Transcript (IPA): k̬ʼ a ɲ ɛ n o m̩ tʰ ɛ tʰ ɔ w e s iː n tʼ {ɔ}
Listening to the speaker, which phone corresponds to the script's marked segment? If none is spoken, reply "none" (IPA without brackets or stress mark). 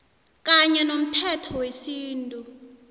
u